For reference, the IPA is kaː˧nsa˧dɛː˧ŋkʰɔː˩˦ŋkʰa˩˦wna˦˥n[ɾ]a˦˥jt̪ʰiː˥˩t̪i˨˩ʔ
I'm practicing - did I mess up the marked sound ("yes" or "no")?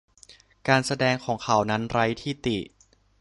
no